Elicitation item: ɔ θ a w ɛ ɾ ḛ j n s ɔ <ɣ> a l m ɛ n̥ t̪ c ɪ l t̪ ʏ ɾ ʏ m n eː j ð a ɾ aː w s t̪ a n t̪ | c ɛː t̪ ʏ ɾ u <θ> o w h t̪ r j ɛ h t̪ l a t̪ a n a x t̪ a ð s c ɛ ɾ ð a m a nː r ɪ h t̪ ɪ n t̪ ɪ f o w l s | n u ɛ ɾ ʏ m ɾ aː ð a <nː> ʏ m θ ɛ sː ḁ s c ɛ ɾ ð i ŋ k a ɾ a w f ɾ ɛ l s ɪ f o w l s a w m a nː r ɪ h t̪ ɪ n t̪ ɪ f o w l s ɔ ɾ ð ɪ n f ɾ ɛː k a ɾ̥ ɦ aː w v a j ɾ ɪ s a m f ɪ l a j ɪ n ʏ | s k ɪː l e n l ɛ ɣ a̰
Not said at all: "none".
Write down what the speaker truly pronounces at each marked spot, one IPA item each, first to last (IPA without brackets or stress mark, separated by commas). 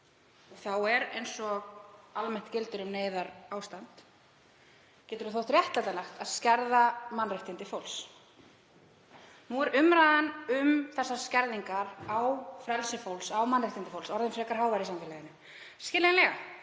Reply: ɣ, θ, n